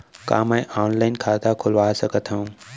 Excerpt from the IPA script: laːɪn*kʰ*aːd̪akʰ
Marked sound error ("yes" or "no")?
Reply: no